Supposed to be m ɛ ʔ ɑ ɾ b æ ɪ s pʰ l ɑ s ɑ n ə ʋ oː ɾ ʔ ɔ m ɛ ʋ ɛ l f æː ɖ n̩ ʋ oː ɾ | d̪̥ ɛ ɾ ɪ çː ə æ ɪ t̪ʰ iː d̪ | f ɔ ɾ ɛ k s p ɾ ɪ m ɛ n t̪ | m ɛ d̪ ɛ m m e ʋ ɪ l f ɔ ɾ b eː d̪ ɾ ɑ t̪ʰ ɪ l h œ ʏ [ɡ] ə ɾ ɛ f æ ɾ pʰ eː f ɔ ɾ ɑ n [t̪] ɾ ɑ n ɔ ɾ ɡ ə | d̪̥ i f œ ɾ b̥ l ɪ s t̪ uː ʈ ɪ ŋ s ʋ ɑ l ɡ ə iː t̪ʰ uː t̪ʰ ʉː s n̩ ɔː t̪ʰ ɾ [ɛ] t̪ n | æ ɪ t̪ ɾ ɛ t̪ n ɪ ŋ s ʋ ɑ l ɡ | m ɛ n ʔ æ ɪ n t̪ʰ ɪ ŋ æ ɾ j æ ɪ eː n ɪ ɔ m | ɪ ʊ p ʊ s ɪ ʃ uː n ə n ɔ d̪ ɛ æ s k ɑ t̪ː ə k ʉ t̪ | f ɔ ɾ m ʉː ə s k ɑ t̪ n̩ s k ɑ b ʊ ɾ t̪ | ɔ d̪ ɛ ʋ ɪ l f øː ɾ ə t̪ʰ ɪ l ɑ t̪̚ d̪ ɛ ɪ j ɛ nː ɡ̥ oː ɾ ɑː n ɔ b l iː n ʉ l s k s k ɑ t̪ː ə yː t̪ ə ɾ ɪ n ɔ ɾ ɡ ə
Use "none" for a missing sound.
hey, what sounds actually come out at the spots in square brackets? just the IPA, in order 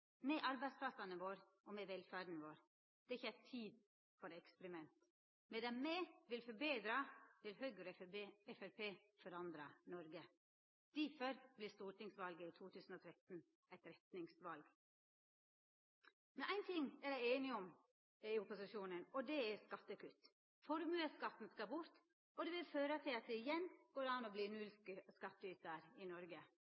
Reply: ɡ, d̪, ɛ

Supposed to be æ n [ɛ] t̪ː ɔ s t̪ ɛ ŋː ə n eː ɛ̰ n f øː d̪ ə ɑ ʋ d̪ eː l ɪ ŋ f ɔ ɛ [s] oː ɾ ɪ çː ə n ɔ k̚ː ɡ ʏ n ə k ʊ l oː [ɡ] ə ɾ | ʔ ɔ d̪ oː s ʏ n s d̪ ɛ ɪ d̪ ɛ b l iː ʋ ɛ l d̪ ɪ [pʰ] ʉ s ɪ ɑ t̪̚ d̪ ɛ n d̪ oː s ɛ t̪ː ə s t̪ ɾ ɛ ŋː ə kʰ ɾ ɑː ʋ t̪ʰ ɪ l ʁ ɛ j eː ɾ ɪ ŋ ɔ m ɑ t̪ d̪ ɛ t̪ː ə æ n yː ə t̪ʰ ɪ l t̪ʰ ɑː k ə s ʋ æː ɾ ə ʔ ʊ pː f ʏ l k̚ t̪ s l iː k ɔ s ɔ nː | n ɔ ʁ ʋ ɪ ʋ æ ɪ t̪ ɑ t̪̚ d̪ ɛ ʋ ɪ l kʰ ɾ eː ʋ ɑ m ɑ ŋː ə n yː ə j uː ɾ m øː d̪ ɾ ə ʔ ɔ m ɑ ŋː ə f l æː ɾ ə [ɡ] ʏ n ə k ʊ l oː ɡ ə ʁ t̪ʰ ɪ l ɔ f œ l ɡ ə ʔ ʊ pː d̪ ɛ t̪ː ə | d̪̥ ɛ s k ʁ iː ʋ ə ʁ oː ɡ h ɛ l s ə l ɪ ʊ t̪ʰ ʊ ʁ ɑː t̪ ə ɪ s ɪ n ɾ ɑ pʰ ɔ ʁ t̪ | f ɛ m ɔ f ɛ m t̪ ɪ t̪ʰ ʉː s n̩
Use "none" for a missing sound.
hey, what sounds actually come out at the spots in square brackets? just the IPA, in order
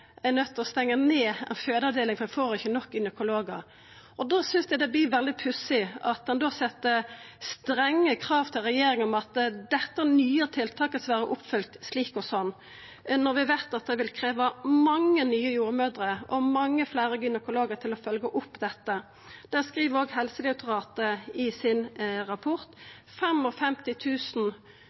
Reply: œ, f, ɡ, pʰ, ɡ

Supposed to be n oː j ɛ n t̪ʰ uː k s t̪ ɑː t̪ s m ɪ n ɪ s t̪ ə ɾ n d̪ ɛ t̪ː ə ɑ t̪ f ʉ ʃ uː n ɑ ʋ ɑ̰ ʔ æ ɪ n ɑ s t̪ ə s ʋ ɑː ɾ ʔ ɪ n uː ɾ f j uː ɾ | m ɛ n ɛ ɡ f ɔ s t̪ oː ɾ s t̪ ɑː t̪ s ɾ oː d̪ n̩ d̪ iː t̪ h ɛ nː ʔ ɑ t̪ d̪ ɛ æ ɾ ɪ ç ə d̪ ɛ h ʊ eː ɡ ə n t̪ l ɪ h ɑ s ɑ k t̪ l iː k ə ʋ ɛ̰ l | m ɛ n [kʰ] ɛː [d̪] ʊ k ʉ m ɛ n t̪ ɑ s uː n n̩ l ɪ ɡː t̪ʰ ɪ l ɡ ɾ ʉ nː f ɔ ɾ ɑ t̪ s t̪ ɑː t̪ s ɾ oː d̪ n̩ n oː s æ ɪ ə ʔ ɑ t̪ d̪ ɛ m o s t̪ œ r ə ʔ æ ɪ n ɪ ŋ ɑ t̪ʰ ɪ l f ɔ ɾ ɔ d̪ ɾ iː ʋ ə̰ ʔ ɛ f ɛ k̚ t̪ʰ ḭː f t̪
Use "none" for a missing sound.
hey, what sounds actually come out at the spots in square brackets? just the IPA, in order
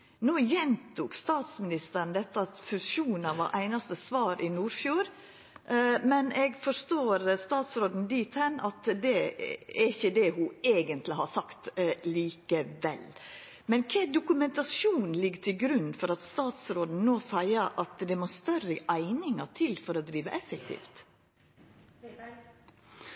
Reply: kʰ, d̪

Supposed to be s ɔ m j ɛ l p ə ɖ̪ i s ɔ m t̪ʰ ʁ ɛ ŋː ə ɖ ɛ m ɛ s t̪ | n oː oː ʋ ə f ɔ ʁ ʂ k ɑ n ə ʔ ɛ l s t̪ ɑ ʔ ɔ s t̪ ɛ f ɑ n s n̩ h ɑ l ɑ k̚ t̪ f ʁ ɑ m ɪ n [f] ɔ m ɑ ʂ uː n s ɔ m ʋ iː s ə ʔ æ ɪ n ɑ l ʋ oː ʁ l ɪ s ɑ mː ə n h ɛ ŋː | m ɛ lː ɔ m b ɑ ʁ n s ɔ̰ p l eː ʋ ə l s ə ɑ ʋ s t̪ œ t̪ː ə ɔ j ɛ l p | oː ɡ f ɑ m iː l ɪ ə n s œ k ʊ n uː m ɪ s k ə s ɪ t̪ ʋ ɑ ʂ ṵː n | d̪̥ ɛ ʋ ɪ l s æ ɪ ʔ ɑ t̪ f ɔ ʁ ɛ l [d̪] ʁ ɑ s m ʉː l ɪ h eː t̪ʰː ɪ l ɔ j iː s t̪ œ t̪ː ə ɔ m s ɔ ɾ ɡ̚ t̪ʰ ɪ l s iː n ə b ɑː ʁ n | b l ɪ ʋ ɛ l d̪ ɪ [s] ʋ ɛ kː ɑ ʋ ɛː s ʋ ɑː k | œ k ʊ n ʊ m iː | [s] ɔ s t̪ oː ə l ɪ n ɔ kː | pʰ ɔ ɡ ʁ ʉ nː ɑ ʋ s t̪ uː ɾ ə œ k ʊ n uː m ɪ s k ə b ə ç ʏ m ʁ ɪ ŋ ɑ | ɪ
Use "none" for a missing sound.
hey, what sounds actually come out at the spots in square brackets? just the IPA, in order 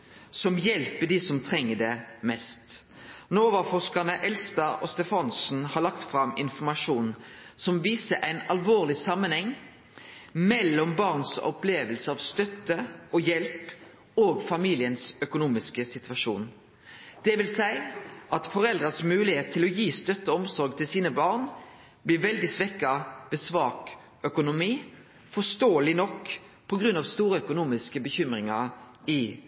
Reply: f, d̪, s, f

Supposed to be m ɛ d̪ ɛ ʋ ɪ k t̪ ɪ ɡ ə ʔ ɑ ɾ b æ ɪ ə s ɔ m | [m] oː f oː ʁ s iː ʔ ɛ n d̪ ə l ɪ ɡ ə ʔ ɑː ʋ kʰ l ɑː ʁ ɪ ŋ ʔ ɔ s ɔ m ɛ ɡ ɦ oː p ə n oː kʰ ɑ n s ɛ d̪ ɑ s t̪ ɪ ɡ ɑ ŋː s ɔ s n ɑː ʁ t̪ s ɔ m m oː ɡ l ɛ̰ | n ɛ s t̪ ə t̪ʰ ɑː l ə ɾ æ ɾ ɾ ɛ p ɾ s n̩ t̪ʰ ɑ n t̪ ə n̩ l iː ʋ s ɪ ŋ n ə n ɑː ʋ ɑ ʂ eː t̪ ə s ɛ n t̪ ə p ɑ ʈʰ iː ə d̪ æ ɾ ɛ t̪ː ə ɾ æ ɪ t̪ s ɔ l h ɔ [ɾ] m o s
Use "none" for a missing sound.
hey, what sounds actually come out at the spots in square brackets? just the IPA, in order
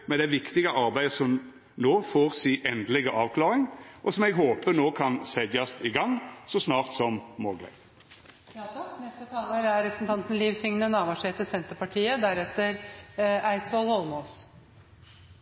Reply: n, l

